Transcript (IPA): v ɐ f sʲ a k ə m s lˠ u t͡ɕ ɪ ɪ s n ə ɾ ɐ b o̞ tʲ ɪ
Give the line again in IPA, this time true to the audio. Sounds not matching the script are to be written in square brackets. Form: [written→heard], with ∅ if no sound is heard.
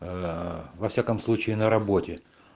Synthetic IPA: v ɐ f sʲ a k ə m s lˠ u t͡ɕ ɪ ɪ [s→∅] n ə ɾ ɐ b o̞ tʲ ɪ